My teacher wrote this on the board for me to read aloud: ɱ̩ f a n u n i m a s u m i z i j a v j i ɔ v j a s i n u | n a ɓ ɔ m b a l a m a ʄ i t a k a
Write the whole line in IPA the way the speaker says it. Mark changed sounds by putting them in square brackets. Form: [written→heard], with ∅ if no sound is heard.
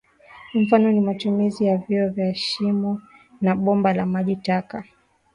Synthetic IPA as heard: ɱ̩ f a n [u→ɔ] n i m a [s→t] u m i z i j a v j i ɔ v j a [s→ʃ] i [n→m] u | n a ɓ ɔ m b a l a m a ʄ i t a k a